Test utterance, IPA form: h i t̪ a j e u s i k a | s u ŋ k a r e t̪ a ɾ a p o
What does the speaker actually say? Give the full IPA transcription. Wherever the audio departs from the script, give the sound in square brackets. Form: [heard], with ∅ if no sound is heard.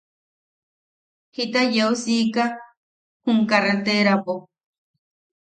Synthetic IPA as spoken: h i t̪ a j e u s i k a | [h] u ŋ k a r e t̪ [e] ɾ a p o